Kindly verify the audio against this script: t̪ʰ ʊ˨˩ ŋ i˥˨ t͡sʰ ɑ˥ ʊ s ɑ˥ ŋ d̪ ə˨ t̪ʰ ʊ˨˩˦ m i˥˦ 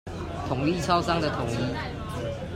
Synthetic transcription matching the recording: t̪ʰ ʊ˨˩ ŋ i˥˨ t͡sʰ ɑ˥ ʊ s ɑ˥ ŋ d̪ ə˨ t̪ʰ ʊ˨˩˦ ŋ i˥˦